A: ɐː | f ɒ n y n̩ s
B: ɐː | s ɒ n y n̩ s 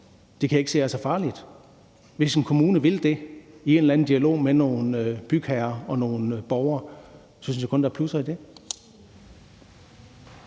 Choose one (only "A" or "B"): B